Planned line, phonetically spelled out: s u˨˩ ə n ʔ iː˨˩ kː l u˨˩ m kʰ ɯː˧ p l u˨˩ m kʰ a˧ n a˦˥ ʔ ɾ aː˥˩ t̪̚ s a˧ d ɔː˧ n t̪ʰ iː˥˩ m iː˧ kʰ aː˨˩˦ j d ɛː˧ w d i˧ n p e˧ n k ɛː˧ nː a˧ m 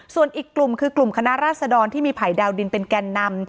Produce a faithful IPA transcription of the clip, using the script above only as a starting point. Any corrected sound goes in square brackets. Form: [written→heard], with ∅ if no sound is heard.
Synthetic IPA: s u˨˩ ə n ʔ iː˨˩ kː l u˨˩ m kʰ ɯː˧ [p→k] l u˨˩ m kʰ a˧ n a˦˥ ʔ ɾ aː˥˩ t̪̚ s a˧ d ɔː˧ n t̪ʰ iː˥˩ m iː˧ [kʰ→pʰ] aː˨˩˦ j d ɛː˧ w d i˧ n p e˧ n k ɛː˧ nː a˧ m